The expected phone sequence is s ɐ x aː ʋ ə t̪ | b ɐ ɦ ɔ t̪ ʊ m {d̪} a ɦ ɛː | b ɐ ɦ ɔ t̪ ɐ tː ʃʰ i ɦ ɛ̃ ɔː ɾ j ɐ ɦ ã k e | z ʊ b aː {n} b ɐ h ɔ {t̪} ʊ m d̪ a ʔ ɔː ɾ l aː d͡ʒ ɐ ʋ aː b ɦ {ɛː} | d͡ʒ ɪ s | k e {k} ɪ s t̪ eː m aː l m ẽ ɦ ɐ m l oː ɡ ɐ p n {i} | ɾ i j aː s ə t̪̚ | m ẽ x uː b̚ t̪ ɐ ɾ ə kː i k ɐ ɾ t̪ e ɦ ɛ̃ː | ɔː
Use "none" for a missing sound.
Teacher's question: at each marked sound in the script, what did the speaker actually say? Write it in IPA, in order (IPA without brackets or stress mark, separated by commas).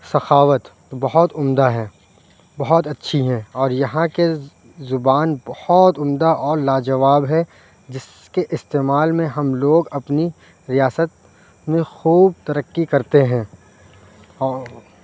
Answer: d̪, n, t̪, ɛ, ʔ, i